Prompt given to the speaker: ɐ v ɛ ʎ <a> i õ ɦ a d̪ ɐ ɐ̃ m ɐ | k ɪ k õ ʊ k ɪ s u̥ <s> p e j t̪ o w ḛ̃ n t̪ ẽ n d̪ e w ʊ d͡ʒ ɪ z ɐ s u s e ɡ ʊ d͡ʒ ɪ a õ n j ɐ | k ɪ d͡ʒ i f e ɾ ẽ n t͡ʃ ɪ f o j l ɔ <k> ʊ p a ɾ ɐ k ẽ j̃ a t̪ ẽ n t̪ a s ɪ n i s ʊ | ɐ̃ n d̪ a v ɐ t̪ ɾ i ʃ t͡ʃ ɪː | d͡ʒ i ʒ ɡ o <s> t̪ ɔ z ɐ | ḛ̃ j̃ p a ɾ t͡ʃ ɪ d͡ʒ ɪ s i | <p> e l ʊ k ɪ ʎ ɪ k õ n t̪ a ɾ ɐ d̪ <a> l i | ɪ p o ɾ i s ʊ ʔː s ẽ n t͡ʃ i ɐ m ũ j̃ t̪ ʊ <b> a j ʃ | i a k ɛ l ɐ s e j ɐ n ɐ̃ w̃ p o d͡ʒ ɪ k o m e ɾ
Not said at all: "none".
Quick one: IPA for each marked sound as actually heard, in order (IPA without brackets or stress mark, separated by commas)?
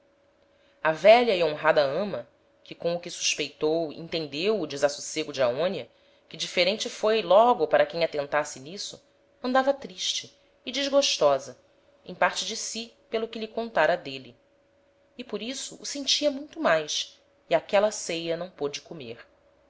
ɐ, ʃ, ɡ, ʃ, p, e, m